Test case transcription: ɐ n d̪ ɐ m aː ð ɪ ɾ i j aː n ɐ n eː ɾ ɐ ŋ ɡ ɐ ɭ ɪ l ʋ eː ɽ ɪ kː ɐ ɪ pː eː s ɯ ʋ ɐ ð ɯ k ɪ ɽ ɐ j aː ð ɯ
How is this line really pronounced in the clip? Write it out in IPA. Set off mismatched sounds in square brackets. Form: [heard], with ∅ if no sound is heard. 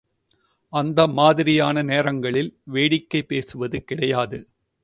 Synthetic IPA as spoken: ɐ n d̪ ɐ m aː ð ɪ ɾ [ɪ] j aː n ɐ n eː ɾ ɐ ŋ ɡ ɐ ɭ ɪ l ʋ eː ɽ ɪ kː ɐ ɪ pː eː s ɯ ʋ ɐ ð ɯ k ɪ ɽ ɐ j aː ð ɯ